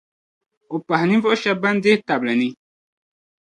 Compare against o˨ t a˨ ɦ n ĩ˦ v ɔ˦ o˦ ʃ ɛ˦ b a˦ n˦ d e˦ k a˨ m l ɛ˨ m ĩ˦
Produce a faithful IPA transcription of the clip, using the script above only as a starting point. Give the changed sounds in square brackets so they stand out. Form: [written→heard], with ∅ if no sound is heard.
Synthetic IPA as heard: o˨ [t→p] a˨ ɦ n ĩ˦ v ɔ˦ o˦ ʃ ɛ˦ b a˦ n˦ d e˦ [k→t] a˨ [m→b] l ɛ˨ [m→n] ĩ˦